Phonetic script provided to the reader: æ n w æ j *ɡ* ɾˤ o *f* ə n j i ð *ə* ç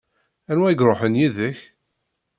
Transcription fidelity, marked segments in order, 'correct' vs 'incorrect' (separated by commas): correct, incorrect, correct